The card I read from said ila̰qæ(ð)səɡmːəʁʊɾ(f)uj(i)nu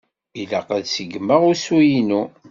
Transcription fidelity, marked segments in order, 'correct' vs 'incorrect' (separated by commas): correct, incorrect, correct